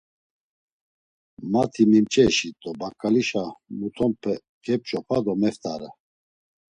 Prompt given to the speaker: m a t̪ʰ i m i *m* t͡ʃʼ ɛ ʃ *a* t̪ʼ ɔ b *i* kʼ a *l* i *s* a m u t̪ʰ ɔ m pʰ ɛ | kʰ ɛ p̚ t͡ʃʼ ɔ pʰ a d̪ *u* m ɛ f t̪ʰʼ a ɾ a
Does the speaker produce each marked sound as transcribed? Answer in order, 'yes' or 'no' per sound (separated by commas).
yes, no, no, yes, no, no